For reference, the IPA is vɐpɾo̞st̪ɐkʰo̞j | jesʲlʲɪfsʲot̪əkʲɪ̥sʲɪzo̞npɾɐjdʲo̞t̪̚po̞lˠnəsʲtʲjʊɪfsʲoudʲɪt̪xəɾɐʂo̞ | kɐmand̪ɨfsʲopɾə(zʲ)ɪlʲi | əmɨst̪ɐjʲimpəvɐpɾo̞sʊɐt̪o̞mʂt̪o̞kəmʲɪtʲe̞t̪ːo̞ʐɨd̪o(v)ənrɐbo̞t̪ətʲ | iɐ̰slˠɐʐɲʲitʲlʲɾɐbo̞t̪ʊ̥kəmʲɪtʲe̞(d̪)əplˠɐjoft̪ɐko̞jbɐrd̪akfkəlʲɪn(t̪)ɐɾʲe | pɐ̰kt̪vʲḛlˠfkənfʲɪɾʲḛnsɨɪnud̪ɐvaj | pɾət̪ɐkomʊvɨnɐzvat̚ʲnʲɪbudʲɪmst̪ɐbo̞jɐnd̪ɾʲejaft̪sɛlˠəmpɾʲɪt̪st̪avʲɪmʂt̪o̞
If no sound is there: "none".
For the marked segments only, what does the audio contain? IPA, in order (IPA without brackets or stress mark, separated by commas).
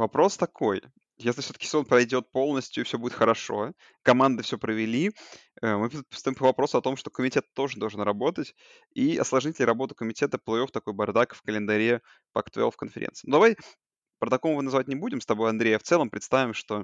vʲ, ʐ, t̪, d̪